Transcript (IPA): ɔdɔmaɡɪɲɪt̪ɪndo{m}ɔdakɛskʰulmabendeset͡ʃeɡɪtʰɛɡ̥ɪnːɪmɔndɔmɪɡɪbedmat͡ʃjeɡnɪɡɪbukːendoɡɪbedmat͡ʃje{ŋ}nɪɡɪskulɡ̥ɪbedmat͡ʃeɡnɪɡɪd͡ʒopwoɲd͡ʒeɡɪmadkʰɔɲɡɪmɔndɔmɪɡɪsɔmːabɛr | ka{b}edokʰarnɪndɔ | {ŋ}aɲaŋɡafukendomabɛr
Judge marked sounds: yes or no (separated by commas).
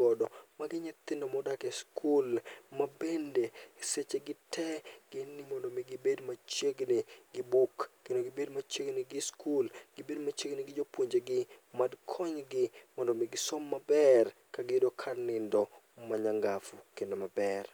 yes, no, no, no